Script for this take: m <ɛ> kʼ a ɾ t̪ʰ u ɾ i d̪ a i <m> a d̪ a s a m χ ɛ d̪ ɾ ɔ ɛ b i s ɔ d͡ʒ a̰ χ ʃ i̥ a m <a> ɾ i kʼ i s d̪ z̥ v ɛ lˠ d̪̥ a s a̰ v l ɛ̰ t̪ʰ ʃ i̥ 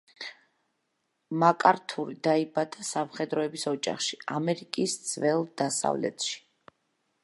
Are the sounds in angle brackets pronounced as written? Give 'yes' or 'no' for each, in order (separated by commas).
no, no, no